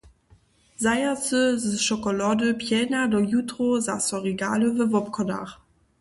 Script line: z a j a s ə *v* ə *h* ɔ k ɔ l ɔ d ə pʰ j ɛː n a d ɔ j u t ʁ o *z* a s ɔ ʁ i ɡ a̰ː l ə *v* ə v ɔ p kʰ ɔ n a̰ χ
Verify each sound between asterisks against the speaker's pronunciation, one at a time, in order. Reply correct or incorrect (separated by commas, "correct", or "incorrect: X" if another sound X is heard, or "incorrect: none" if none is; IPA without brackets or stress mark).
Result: incorrect: z, incorrect: ʃ, correct, correct